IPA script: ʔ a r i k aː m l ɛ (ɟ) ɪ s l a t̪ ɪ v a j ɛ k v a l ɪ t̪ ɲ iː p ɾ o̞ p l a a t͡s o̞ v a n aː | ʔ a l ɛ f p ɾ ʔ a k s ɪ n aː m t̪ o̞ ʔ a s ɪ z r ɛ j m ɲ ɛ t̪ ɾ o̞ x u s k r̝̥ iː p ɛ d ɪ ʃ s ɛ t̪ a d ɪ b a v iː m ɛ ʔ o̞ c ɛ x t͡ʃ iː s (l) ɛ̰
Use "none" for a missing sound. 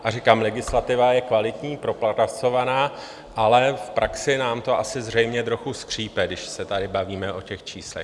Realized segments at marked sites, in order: ɡ, l

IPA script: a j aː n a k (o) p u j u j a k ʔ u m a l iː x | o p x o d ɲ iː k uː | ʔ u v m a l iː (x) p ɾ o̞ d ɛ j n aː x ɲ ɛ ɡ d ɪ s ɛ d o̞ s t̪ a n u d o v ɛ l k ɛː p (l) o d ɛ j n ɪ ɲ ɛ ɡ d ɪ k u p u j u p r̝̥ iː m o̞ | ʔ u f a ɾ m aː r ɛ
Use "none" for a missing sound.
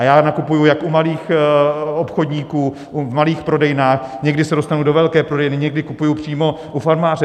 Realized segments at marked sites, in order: u, x, ɾ

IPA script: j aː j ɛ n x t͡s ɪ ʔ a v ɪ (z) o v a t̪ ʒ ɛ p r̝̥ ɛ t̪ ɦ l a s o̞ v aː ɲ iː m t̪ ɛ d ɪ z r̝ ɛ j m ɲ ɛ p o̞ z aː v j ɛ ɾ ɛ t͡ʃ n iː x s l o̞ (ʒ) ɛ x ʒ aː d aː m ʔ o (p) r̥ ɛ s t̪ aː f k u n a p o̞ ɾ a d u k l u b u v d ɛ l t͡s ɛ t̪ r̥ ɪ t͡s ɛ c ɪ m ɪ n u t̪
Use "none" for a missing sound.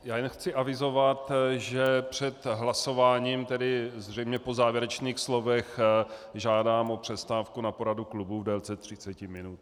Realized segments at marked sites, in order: z, v, p

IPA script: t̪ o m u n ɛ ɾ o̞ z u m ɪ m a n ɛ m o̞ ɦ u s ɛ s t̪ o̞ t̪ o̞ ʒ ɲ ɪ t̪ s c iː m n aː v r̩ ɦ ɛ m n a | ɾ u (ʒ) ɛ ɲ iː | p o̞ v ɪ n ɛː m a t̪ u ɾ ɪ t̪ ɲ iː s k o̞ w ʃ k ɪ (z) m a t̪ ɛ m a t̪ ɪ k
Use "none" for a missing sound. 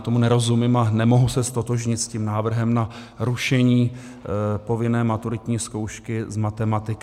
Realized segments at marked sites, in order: ʃ, z

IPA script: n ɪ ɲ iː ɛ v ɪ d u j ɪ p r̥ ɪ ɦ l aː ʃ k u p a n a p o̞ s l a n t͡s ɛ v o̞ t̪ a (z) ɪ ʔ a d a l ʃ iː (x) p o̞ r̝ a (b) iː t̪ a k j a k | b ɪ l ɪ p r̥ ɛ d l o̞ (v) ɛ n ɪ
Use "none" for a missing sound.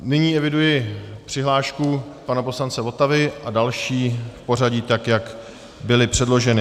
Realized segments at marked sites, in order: v, f, ɟ, ʒ

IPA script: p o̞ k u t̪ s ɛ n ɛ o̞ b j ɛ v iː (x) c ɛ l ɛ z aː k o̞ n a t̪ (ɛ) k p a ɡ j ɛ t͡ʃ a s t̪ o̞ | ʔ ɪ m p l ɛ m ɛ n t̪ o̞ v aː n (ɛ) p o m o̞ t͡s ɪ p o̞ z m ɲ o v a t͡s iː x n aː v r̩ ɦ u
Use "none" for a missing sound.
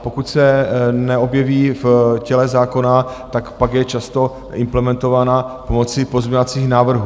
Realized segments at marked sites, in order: f, a, a

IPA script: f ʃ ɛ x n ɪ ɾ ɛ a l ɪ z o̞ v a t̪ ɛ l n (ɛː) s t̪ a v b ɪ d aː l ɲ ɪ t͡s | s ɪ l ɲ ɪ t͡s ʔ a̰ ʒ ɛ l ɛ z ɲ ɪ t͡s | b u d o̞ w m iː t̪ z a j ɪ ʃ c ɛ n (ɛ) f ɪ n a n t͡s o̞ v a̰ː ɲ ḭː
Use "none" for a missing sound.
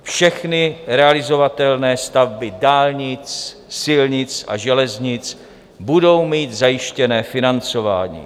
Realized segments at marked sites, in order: ɛː, ɛː

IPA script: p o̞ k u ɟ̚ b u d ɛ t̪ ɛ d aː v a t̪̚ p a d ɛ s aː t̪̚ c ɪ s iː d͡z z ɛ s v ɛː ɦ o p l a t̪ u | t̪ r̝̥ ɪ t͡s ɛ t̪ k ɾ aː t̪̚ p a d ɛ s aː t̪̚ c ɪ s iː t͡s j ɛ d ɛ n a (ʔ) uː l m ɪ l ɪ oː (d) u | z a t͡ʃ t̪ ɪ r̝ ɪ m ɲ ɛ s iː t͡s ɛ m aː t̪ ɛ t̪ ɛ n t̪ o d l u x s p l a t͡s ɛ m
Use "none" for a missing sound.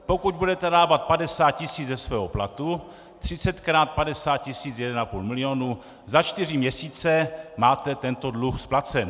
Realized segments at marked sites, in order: p, n

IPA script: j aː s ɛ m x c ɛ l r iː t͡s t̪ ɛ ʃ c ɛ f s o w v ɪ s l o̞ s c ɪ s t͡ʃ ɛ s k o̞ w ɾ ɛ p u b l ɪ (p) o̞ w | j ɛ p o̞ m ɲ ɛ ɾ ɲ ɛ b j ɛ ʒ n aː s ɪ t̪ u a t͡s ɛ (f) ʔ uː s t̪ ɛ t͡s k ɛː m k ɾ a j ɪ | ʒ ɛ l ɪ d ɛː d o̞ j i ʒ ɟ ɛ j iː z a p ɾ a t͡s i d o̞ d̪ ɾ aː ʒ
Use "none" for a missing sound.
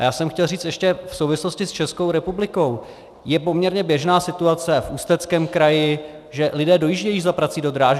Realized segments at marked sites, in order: k, f

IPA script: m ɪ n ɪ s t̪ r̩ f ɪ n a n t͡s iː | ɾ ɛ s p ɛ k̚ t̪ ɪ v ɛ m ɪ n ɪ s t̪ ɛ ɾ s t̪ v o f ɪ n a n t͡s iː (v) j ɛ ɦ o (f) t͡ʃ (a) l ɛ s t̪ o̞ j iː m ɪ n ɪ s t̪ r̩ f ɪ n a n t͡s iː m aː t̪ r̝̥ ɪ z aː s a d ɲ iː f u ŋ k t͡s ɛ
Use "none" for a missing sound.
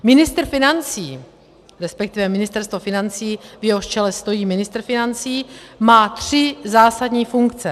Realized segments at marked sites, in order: v, ʃ, ɛ

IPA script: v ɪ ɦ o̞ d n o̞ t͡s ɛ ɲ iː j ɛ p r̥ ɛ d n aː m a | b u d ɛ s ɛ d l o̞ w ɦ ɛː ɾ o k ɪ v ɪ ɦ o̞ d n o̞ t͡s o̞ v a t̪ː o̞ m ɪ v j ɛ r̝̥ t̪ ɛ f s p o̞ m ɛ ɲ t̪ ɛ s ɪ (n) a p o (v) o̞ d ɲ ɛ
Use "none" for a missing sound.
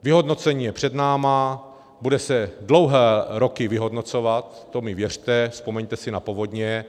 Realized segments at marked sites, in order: n, v

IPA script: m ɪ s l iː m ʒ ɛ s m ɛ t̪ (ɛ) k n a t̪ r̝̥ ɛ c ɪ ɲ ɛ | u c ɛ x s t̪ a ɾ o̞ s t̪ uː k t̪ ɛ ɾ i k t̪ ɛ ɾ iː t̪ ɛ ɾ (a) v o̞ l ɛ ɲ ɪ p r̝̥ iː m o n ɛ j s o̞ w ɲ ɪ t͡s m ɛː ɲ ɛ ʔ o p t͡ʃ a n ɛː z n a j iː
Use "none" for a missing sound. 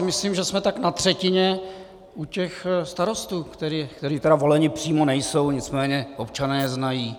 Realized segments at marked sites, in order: a, a

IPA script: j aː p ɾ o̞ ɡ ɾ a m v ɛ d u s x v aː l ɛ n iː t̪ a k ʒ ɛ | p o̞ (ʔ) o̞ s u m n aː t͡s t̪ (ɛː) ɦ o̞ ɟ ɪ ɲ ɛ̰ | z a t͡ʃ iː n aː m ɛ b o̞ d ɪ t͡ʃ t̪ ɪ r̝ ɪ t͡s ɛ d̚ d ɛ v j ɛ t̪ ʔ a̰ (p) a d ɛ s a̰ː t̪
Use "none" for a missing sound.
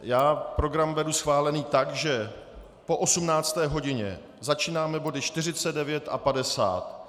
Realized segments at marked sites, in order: ʔ, ɛː, p

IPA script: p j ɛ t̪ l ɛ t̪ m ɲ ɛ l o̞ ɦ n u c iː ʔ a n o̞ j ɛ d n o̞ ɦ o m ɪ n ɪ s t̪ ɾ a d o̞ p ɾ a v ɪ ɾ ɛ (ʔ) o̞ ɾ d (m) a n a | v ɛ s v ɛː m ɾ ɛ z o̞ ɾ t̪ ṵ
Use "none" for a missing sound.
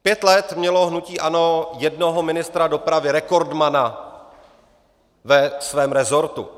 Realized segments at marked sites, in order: k, m

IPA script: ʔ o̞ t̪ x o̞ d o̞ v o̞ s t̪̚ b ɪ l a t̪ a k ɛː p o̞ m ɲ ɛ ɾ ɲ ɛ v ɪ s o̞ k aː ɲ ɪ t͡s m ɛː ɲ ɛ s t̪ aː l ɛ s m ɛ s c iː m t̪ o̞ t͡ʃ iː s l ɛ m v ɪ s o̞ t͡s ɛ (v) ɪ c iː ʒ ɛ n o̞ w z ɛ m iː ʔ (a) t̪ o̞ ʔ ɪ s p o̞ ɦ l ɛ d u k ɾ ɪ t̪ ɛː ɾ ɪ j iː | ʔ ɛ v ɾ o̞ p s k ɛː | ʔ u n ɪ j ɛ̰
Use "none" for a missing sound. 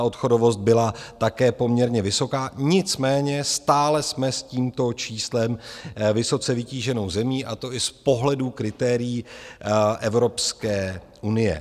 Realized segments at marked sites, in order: v, a

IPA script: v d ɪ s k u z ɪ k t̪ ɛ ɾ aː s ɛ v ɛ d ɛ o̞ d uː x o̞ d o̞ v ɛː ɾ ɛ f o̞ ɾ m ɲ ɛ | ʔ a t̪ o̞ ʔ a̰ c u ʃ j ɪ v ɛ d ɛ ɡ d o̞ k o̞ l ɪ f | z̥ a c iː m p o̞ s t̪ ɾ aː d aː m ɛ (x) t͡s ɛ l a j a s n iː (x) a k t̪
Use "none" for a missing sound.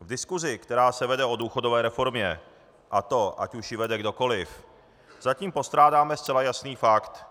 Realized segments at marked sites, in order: s, f

